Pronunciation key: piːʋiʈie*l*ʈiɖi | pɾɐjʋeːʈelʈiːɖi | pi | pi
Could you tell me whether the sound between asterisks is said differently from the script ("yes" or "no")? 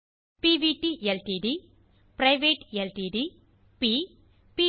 no